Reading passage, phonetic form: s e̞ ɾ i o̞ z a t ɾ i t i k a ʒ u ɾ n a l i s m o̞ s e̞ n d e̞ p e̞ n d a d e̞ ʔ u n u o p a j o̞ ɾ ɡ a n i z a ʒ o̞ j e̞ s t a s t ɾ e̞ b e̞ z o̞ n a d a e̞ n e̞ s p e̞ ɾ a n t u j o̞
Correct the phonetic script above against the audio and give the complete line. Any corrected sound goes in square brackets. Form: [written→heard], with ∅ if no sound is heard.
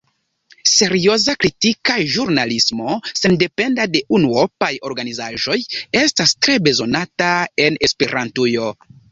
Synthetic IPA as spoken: s e̞ ɾ i o̞ z a [t→k] ɾ i t i k a ʒ u ɾ n a l i s m o̞ s e̞ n d e̞ p e̞ n d a d e̞ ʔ u n u o p a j o̞ ɾ ɡ a n i z a ʒ o̞ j e̞ s t a s t ɾ e̞ b e̞ z o̞ n a [d→t] a e̞ n e̞ s p e̞ ɾ a n t u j o̞